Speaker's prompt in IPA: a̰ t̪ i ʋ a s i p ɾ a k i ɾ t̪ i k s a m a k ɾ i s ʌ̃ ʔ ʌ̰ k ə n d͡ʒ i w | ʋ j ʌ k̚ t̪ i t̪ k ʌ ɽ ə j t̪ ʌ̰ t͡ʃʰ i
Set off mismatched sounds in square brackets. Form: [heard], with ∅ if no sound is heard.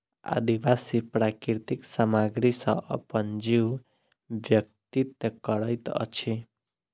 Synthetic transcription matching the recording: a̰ [d̪] i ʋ a s i p ɾ a k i ɾ t̪ i k s a m a [ɡ] ɾ i s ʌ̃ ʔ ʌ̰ [p] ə n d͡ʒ i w | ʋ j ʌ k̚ t̪ i t̪ k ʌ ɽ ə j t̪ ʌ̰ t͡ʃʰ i